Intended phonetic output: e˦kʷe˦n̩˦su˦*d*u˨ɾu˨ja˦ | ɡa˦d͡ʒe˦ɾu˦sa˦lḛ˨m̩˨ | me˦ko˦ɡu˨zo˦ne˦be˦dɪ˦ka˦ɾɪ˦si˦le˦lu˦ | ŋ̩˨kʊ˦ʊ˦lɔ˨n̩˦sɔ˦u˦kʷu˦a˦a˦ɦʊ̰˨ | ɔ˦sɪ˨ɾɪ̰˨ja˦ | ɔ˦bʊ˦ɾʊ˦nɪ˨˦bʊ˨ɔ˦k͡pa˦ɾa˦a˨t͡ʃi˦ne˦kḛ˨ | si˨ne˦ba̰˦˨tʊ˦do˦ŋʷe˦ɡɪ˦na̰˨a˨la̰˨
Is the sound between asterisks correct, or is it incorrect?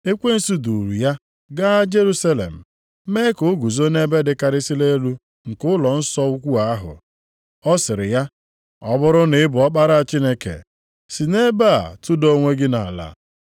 correct